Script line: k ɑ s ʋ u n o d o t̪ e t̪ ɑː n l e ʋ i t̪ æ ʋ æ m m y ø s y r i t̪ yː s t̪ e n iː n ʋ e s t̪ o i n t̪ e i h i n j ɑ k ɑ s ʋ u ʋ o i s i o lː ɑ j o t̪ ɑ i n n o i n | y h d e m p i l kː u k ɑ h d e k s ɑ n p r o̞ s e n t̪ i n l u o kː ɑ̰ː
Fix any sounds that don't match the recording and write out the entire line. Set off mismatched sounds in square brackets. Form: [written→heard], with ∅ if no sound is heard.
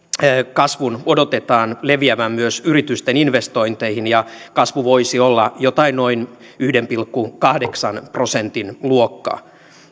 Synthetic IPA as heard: k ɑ s ʋ u n o d o t̪ e t̪ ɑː n l e ʋ i [t̪→∅] æ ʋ æ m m y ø s y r i t̪ [yː→y] s t̪ e n [iː→i] n ʋ e s t̪ o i n t̪ e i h i n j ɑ k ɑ s ʋ u ʋ o i s i o lː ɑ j o t̪ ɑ i n n o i n | y h d e m p i l kː u k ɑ h d e k s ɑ n p r o̞ s e n t̪ i n l u o kː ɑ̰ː